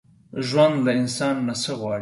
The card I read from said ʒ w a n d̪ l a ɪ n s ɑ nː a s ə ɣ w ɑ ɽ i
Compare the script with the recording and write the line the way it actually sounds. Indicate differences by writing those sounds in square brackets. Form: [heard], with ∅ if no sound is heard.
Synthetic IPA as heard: ʒ w a n d̪ l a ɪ n s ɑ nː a s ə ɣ w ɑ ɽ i